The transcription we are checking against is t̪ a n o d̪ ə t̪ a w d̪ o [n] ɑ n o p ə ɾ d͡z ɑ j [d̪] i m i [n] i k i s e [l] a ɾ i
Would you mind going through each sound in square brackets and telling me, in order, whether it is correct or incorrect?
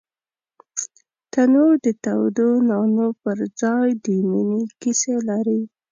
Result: correct, correct, correct, correct

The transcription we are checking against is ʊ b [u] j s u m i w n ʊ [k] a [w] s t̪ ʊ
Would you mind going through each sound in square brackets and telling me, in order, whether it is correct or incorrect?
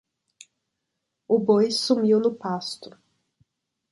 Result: incorrect, incorrect, incorrect

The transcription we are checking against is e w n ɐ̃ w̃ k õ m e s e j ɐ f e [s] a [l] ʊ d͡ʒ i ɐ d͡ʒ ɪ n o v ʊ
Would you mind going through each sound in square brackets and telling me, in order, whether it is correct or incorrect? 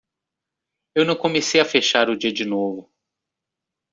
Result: incorrect, incorrect

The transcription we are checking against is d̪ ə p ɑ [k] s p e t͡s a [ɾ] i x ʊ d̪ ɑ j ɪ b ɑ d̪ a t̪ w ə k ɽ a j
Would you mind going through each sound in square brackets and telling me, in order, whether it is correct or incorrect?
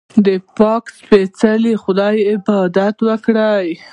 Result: correct, incorrect

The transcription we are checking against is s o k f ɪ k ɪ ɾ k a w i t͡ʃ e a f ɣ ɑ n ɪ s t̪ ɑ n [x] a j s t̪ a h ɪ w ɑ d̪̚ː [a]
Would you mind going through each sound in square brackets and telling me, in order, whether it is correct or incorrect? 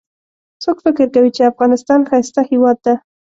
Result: correct, correct

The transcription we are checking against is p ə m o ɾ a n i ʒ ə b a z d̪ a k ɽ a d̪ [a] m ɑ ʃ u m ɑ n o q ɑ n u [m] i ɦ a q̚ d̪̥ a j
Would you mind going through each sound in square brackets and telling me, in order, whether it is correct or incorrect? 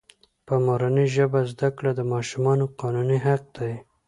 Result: incorrect, incorrect

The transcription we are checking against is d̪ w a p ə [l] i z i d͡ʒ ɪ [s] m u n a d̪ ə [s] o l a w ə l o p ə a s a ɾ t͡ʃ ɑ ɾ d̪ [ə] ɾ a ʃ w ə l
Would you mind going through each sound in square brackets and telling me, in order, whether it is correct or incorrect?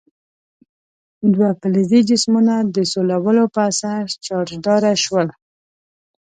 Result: correct, correct, correct, incorrect

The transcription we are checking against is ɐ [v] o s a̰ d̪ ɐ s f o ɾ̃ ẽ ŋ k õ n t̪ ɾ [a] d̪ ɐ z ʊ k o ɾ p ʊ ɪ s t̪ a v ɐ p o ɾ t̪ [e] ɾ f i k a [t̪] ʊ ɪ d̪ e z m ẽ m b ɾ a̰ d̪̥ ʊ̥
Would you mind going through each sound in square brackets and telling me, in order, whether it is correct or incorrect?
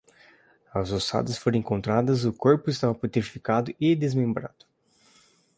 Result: incorrect, correct, correct, incorrect

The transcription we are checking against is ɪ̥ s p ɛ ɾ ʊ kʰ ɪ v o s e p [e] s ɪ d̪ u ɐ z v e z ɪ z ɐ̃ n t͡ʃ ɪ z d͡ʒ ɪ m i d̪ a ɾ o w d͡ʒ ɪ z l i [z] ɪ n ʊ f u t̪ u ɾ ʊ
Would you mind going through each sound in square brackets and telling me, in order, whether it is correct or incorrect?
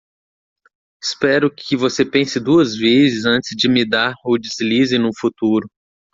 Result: incorrect, correct

